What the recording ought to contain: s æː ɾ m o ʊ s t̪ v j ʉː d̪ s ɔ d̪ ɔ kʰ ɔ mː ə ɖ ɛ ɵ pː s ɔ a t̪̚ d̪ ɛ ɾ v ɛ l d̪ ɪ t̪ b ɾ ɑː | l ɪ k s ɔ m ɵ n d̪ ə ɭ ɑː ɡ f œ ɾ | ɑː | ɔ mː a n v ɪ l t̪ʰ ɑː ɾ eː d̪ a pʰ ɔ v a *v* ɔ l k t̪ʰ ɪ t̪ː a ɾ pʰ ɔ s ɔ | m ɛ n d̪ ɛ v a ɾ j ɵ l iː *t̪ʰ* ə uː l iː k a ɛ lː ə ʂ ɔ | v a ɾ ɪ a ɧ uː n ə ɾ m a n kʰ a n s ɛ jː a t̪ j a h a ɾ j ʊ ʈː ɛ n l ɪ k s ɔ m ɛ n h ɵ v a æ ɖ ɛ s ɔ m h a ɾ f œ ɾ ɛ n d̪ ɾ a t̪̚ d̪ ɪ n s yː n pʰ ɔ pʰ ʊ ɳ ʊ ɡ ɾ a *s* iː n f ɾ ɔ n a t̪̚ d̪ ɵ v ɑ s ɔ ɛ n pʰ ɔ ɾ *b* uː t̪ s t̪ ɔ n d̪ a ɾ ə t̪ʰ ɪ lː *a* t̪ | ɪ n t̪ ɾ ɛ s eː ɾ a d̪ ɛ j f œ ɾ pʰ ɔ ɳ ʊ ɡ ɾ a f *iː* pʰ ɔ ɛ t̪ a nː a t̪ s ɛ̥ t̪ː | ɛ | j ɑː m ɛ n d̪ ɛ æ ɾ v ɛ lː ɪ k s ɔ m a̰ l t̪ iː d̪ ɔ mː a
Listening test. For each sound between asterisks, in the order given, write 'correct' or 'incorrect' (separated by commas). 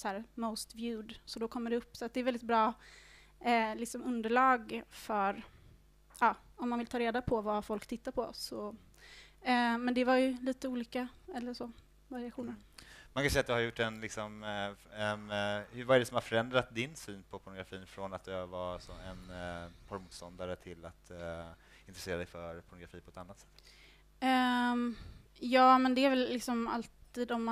incorrect, incorrect, incorrect, incorrect, correct, correct